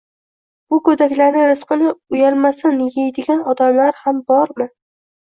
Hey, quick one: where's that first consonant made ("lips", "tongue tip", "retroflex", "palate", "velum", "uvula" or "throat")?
lips